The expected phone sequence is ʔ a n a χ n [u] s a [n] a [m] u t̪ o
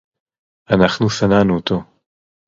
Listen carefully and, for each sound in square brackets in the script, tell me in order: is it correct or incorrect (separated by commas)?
correct, correct, incorrect